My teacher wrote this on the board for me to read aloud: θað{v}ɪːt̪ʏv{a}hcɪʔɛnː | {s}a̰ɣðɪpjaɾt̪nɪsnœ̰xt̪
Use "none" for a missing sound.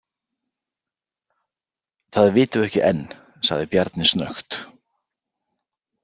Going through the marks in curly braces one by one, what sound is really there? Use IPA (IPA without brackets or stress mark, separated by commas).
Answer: v, ɛ, s